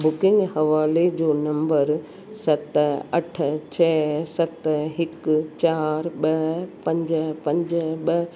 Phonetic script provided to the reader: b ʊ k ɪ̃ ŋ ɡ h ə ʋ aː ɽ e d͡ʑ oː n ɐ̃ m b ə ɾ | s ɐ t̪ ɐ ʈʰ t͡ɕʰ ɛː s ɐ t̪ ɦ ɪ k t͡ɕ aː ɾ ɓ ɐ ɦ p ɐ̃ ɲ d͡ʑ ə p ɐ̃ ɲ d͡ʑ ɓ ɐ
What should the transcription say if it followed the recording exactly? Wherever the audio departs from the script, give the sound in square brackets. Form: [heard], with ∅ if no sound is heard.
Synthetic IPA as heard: b ʊ k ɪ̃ ŋ ɡ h [ɐ] ʋ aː [l] e d͡ʑ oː n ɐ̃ m b ə ɾ | s ɐ t̪ ɐ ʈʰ t͡ɕʰ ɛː s ɐ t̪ ɦ ɪ k t͡ɕ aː ɾ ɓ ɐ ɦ p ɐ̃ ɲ d͡ʑ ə p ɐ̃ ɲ d͡ʑ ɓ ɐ